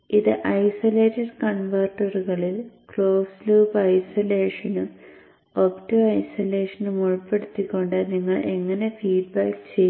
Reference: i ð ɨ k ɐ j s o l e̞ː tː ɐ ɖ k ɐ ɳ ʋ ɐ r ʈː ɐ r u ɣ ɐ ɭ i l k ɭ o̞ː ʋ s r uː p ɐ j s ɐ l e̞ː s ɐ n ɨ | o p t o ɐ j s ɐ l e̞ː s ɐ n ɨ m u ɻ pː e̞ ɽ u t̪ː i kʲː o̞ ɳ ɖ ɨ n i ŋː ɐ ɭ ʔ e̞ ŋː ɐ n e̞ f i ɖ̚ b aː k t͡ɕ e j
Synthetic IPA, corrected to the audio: i ð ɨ ʔ ɐ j s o l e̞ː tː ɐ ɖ k ɐ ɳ ʋ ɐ r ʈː ɐ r u ɣ ɐ ɭ i l k ɭ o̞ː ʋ s l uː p ɐ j s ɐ l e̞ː ʂ ɐ n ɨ | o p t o ɐ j s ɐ l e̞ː ʂ ɐ n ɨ m u ɻ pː e̞ ɽ u t̪ː i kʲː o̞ ɳ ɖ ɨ n i ŋː ɐ ɭ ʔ e̞ ŋː ɐ n e̞ f iː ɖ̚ b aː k t͡ɕ e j